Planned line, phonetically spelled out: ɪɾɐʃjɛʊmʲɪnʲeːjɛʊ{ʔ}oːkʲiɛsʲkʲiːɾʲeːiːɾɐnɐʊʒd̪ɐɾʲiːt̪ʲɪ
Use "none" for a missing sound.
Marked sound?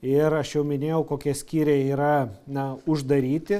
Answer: k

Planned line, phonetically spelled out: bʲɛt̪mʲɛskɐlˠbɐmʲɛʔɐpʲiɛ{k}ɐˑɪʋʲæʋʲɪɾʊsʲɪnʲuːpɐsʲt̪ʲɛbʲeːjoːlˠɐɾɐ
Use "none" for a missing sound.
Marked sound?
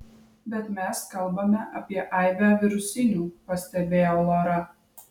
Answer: ʔ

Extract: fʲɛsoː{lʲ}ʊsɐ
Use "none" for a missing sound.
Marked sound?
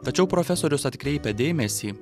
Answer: ɾʲ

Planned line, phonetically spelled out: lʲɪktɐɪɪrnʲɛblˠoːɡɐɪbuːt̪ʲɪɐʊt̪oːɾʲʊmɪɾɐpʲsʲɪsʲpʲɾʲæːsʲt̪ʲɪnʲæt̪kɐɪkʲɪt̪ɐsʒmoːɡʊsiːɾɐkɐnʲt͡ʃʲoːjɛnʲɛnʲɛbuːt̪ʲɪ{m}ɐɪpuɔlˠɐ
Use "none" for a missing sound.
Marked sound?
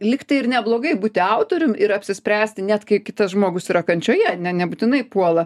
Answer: n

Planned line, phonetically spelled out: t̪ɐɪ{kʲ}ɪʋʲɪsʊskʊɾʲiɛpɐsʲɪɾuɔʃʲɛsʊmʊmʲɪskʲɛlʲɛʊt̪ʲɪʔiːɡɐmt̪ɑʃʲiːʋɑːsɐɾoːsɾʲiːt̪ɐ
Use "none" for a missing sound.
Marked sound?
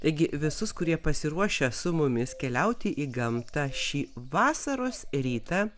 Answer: ɡʲ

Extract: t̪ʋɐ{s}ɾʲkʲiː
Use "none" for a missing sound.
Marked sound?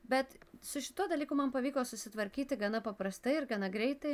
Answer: none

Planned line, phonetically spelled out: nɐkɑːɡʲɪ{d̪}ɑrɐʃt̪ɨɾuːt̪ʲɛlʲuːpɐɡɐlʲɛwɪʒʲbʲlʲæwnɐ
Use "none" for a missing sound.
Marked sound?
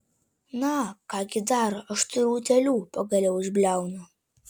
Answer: d̪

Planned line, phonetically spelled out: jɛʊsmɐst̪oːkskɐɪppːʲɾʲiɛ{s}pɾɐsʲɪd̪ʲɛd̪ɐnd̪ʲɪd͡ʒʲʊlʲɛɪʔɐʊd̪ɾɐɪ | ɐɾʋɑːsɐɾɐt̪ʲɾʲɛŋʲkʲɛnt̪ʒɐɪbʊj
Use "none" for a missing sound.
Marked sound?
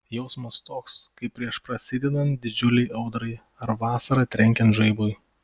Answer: ʃ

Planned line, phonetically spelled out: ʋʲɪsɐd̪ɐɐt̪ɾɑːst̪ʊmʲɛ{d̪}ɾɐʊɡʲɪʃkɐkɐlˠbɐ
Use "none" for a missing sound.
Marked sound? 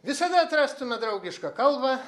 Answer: d̪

